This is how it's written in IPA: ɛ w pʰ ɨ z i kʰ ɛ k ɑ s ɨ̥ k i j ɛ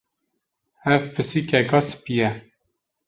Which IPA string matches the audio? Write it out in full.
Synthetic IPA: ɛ v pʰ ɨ s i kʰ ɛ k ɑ s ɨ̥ p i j ɛ